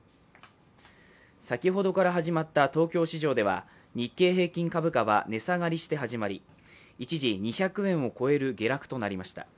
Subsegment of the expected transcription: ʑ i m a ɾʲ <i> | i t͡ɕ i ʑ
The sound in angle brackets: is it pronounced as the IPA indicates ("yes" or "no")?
yes